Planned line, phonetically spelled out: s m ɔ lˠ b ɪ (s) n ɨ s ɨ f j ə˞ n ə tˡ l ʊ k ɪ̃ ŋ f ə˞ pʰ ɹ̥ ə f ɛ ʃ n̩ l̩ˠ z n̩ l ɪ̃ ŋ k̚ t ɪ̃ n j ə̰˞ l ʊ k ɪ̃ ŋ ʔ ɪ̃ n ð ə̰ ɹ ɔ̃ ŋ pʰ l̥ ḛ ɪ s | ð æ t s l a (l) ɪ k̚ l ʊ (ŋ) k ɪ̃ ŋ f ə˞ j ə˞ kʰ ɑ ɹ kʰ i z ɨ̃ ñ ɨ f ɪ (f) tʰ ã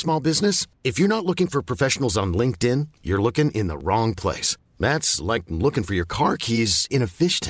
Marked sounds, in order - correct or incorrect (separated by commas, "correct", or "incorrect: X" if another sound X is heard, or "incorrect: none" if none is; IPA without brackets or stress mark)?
incorrect: z, incorrect: none, incorrect: none, incorrect: ʃ